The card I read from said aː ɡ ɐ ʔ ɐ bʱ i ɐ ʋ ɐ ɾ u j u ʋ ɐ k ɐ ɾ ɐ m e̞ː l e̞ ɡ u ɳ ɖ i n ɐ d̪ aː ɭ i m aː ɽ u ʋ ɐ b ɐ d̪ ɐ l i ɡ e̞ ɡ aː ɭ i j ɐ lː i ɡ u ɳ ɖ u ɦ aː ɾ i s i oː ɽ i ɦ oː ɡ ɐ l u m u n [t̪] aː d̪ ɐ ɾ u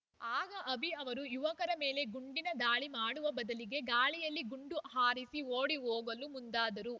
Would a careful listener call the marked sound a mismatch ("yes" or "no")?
yes